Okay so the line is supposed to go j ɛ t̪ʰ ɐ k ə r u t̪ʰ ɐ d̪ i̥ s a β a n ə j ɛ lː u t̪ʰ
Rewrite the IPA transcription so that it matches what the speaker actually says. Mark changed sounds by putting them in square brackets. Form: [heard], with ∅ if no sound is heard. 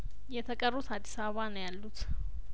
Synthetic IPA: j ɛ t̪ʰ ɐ [kʼ] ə r u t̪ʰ [a] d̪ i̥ s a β a n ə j [a] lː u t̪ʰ